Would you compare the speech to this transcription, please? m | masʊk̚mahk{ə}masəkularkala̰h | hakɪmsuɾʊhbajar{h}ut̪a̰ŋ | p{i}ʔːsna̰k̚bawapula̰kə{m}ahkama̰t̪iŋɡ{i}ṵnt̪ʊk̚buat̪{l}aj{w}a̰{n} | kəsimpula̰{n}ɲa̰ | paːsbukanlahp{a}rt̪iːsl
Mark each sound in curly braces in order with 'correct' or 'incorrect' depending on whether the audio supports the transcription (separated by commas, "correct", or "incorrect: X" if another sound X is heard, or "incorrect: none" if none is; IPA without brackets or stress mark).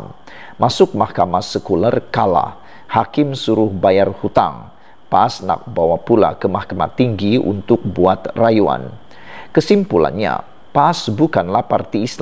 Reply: incorrect: a, correct, incorrect: a, correct, correct, incorrect: r, incorrect: u, correct, correct, correct